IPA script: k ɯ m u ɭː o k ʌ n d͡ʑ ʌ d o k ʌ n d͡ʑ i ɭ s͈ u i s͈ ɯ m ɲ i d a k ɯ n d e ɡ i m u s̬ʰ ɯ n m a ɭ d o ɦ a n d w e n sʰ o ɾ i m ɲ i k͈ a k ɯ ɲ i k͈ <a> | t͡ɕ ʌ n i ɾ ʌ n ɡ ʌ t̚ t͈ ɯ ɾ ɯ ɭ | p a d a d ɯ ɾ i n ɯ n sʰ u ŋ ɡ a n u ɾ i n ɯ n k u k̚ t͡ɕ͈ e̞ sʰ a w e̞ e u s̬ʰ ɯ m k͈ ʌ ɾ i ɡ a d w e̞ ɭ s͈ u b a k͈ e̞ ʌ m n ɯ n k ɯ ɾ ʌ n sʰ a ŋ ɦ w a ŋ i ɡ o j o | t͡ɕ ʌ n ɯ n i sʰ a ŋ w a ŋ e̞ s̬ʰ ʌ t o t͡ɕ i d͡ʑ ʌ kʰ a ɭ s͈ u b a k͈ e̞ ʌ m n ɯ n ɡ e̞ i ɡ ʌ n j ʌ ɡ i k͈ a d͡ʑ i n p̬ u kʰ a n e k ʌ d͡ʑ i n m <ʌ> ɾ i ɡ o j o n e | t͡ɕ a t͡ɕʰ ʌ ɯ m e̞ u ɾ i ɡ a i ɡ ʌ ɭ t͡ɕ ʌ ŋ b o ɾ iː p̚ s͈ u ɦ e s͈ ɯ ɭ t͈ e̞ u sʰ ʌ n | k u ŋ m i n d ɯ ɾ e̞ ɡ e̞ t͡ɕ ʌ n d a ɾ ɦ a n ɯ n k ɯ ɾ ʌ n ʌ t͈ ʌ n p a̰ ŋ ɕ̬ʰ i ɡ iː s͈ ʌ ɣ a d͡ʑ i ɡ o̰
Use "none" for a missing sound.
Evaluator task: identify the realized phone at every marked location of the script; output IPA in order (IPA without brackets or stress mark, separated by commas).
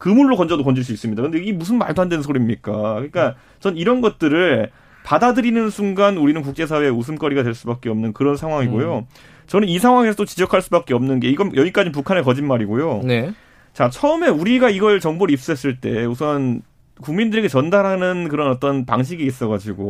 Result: a, a